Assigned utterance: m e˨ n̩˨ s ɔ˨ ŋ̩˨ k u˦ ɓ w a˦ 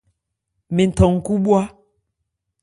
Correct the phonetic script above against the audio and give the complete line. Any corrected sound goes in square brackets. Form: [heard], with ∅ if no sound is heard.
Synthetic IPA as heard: m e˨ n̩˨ [t] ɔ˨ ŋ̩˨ k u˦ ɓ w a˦